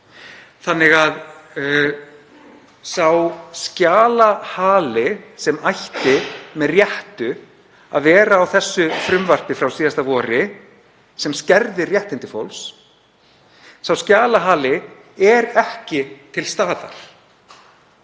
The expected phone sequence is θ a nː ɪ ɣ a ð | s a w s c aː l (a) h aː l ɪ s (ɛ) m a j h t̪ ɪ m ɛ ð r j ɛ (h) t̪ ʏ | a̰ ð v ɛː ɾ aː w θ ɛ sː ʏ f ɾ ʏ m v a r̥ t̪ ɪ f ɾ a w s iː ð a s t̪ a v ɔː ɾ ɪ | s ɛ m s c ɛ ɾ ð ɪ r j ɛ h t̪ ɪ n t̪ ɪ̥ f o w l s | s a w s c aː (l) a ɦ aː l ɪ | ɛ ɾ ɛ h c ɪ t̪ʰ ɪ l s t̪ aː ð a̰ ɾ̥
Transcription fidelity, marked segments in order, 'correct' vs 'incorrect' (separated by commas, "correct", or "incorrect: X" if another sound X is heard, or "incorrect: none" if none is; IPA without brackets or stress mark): correct, correct, correct, correct